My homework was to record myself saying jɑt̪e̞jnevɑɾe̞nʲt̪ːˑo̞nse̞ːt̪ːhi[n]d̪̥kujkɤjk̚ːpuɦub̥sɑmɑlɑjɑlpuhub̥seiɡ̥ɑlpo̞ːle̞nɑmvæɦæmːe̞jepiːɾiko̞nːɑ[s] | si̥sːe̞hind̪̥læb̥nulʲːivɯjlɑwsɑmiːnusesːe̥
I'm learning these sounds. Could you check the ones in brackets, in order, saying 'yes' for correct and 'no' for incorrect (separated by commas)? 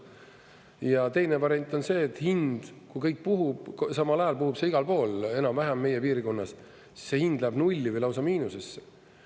yes, yes